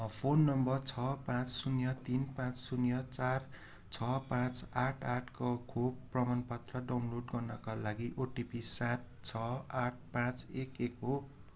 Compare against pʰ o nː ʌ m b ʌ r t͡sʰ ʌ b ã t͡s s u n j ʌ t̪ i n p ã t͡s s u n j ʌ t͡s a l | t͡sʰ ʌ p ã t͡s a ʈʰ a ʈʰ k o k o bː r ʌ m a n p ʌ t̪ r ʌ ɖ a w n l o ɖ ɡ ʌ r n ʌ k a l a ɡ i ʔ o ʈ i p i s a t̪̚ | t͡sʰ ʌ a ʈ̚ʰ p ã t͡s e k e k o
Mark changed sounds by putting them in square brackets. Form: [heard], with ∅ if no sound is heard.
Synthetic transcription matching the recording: pʰ o nː ʌ m b ʌ r t͡sʰ ʌ [p] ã t͡s s u n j ʌ t̪ i n p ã t͡s s u n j ʌ t͡s a [r] | t͡sʰ ʌ p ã t͡s a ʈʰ a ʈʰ k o [kʰ] o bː r ʌ m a n p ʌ t̪ r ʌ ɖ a w n l o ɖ ɡ ʌ r n ʌ k a l a ɡ i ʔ o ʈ i p i s a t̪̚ | t͡sʰ ʌ a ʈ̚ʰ p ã t͡s e k e k o